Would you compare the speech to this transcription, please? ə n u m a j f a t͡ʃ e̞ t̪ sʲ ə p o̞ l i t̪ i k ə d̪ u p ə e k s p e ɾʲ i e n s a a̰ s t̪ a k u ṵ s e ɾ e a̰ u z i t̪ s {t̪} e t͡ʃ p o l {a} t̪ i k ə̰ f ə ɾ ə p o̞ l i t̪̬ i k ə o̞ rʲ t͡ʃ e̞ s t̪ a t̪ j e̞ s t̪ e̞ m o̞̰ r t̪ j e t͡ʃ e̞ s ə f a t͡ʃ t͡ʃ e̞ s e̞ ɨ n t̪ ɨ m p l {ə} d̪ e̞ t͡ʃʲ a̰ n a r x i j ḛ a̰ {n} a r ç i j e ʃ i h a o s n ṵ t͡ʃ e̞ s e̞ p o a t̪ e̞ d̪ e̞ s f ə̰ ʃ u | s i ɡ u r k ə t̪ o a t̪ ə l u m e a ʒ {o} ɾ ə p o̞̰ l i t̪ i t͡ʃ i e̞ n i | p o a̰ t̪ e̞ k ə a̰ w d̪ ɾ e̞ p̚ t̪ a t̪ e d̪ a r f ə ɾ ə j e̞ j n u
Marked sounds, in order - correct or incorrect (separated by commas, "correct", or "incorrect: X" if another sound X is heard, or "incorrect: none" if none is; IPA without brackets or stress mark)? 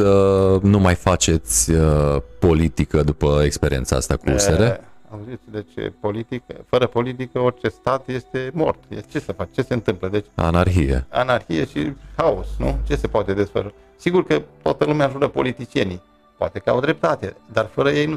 incorrect: d̪, incorrect: i, correct, correct, incorrect: u